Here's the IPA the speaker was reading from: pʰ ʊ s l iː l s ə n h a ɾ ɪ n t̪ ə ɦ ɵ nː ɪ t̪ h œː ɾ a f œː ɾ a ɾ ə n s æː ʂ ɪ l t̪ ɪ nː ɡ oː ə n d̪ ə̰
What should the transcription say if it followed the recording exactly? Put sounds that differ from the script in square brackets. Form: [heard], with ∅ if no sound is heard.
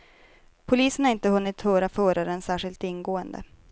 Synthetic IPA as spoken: pʰ ʊ [∅] l iː [∅] s ə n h a ɾ ɪ n t̪ ə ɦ ɵ nː ɪ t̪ h œː ɾ a f œː ɾ a ɾ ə n s æː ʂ ɪ l t̪ ɪ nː ɡ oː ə n d̪ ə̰